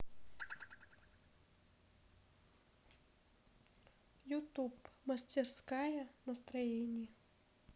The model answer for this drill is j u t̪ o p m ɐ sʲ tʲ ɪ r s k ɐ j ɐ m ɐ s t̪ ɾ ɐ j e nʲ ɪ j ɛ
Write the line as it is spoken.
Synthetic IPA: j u t̪ u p m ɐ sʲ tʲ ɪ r s k a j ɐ n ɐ s t̪ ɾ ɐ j e nʲ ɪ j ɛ